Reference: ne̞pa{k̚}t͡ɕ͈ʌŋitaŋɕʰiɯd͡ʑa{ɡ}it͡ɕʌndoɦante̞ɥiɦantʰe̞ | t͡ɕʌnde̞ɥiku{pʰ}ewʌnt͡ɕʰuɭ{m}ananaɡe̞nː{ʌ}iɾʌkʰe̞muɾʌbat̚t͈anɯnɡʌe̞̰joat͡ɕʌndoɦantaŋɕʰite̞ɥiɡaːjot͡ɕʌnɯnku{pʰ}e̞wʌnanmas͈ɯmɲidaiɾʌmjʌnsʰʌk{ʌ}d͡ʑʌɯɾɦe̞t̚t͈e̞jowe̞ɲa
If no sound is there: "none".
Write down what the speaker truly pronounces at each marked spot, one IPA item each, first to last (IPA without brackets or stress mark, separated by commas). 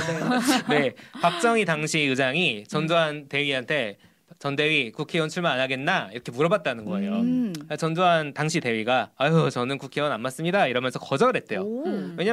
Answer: k̚, ŋ, kʰ, m, a, kʰ, ʌ